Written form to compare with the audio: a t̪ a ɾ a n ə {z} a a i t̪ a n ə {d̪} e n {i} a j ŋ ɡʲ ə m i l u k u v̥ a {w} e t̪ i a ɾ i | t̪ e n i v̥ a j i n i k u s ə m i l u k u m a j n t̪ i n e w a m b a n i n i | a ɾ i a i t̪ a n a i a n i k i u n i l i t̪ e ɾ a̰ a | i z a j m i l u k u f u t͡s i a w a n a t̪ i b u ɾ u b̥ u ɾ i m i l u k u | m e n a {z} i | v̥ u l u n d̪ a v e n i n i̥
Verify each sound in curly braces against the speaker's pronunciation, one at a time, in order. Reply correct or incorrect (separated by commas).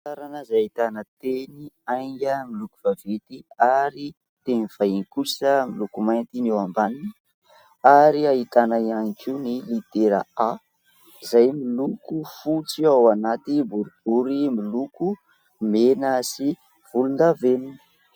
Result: correct, incorrect, correct, incorrect, incorrect